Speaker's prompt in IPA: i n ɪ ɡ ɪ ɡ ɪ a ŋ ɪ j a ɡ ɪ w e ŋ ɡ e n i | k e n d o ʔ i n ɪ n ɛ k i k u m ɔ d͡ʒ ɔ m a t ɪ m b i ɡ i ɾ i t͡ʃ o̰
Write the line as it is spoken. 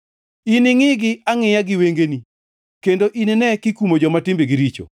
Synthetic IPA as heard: i n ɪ ŋ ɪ ɡ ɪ a ŋ ɪ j a ɡ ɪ w e ŋ ɡ e n i | k e n d o ʔ i n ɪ n ɛ k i k u m o d͡ʒ ɔ m a t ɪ m b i ɡ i ɾ i t͡ʃ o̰